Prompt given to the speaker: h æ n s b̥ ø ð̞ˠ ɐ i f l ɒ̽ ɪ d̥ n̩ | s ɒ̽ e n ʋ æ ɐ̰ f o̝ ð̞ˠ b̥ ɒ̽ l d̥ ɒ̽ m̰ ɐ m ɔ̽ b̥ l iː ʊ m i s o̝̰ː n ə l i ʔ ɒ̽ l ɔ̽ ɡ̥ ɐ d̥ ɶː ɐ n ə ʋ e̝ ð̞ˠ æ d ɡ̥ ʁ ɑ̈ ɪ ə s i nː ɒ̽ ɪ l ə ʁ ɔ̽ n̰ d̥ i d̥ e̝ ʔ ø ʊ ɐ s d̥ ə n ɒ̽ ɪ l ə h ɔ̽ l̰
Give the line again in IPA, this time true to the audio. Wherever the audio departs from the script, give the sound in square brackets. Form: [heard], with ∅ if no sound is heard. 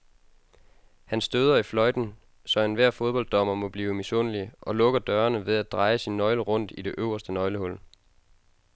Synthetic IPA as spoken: h æ n s [d̥] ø ð̞ˠ ɐ i f l ɒ̽ ɪ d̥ n̩ | s ɒ̽ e n ʋ æ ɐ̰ f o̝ ð̞ˠ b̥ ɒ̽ l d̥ ɒ̽ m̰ ɐ m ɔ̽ b̥ l iː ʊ m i s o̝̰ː n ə l i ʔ ɒ̽ l ɔ̽ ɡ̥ ɐ d̥ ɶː ɐ n ə ʋ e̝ ð̞ˠ æ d [d̥] ʁ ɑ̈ ɪ ə s i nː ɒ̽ ɪ l ə ʁ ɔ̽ n̰ d̥ i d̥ e̝ ʔ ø ʊ ɐ s d̥ ə n ɒ̽ ɪ l ə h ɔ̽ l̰